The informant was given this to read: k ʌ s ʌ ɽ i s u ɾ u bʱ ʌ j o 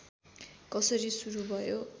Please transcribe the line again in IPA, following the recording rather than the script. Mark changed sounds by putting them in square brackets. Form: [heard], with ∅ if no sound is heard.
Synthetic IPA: k ʌ s ʌ [ɾ] i s u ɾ u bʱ ʌ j o